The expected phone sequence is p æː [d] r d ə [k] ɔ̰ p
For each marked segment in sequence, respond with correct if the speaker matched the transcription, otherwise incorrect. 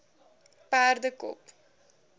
incorrect: none, correct

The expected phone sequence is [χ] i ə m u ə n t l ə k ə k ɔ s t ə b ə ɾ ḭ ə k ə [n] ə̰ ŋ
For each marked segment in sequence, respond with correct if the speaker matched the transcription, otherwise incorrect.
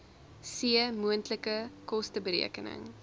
incorrect: s, correct

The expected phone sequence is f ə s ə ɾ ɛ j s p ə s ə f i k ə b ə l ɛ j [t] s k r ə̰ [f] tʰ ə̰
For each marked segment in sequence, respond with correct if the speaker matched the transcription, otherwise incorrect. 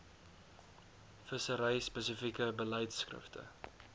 correct, correct

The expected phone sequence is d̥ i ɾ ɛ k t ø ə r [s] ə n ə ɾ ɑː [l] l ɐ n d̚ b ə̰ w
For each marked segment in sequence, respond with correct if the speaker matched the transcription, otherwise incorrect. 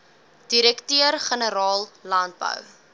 incorrect: χ, correct

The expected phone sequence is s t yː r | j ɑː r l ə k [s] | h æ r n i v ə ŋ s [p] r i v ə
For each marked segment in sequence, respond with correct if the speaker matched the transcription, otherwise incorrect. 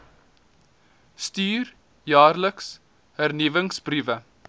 correct, incorrect: b

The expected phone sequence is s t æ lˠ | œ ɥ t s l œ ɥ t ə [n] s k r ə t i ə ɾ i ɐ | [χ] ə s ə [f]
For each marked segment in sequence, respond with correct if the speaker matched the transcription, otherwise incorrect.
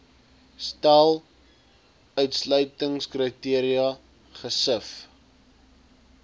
incorrect: ŋ, correct, correct

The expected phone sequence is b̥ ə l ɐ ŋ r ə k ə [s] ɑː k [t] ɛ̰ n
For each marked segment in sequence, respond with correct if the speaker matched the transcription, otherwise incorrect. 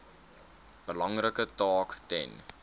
incorrect: t, correct

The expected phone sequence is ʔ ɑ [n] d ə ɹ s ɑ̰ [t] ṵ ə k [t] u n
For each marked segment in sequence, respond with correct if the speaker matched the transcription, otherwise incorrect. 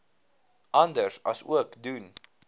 correct, incorrect: s, incorrect: d

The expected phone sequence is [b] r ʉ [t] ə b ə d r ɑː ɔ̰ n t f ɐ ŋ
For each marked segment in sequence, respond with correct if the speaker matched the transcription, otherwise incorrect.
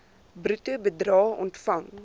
correct, correct

